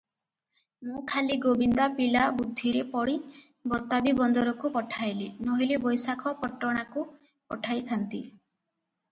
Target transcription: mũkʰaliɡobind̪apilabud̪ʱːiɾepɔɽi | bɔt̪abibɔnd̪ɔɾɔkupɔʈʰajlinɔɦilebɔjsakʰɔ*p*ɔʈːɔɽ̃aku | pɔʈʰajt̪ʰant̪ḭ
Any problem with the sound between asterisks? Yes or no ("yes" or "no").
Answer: no